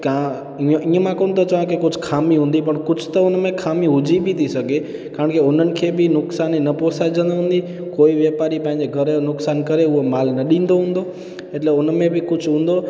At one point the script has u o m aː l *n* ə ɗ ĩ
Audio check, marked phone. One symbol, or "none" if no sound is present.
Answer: n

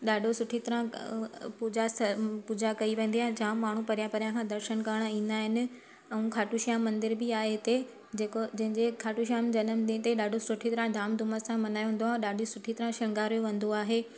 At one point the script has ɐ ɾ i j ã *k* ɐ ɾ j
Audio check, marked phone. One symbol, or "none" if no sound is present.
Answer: p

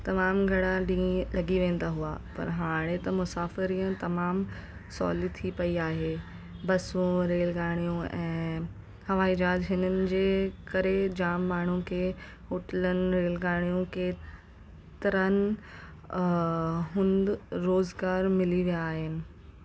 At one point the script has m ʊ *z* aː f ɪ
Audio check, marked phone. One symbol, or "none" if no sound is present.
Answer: s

